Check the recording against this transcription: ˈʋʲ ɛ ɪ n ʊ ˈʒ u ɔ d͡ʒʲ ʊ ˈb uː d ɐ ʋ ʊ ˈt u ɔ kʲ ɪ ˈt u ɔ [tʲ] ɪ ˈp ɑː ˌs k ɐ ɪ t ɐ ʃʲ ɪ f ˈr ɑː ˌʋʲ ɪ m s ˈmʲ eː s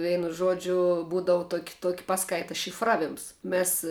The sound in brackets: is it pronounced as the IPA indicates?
no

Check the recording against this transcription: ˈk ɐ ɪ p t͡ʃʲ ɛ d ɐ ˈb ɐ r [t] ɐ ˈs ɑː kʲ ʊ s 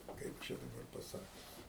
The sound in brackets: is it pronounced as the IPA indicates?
no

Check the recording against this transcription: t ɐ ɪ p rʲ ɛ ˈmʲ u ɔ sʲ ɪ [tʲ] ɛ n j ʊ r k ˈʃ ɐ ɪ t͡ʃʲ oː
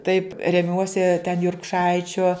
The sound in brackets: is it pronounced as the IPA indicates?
yes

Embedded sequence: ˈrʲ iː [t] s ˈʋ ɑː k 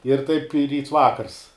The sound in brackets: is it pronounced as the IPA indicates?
yes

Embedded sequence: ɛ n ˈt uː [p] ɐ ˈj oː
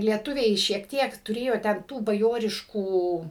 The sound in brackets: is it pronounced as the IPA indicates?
no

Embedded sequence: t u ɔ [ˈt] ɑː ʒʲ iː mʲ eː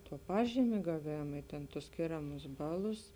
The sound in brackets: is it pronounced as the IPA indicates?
no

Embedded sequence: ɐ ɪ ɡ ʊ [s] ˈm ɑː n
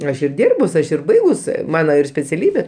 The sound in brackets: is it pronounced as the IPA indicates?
yes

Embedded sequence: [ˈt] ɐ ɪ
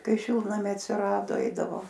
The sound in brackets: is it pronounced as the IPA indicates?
no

